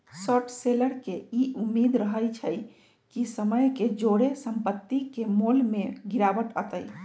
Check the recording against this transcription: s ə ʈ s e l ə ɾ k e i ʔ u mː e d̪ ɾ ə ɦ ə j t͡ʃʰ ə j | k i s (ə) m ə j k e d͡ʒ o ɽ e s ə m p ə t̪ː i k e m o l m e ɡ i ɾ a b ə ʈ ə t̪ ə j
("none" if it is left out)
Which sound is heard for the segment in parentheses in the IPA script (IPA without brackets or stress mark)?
ə